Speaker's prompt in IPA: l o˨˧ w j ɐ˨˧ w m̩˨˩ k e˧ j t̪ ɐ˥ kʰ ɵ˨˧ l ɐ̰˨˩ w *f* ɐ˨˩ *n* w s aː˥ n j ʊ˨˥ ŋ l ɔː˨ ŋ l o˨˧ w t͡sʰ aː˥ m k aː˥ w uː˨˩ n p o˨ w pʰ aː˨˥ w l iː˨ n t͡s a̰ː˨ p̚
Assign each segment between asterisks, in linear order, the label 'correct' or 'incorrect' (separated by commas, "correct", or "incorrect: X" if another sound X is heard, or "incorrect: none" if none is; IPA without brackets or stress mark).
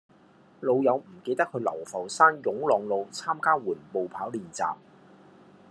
correct, incorrect: none